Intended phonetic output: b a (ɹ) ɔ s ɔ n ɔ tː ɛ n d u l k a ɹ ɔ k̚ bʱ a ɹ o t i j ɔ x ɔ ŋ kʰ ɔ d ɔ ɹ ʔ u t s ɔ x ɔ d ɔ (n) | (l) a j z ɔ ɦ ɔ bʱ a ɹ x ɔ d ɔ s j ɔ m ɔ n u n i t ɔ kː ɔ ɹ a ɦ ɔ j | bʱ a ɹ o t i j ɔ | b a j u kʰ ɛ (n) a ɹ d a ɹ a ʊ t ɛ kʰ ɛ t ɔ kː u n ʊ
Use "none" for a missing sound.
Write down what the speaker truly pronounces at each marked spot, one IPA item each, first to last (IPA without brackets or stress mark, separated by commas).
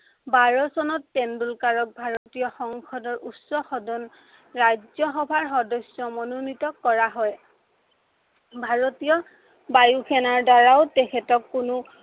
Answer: ɹ, n, ɹ, n